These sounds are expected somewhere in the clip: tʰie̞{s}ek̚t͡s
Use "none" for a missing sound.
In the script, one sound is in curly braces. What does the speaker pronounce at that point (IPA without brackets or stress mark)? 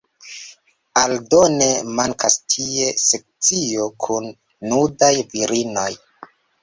s